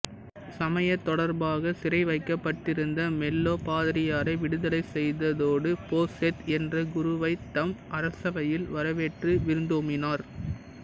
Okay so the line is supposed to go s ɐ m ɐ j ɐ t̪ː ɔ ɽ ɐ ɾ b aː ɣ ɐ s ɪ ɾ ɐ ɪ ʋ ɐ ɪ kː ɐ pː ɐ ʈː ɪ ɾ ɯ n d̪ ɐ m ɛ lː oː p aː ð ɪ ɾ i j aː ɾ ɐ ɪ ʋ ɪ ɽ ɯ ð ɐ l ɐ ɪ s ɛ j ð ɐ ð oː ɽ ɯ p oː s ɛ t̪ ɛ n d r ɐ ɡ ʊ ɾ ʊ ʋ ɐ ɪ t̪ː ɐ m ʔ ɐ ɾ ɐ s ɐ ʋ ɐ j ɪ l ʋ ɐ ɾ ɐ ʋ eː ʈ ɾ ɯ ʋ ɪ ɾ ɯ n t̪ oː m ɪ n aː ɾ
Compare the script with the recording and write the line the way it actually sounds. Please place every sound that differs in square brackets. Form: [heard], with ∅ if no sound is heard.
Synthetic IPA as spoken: s ɐ m ɐ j ɐ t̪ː ɔ ɽ ɐ ɾ b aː ɣ ɐ s ɪ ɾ ɐ ɪ ʋ ɐ ɪ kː ɐ pː ɐ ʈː ɪ ɾ ɯ n d̪ ɐ m ɛ lː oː p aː ð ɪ ɾ [ɪ] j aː ɾ ɐ ɪ ʋ ɪ ɽ ɯ ð ɐ l ɐ ɪ s ɛ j ð ɐ ð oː ɽ ɯ p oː s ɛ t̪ ɛ n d r ɐ ɡ ʊ ɾ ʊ ʋ ɐ ɪ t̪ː ɐ m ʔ ɐ ɾ ɐ s ɐ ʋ ɐ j ɪ l ʋ ɐ ɾ ɐ ʋ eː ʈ [r] ɯ ʋ ɪ ɾ ɯ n [d̪] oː m ɪ n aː ɾ